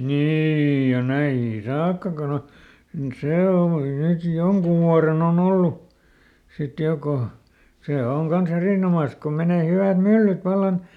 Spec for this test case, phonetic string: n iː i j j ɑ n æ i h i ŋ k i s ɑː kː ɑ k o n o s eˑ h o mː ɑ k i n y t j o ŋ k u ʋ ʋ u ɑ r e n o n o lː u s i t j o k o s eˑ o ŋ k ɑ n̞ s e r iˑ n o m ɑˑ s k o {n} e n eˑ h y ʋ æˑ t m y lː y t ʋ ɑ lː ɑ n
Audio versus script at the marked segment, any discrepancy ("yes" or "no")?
yes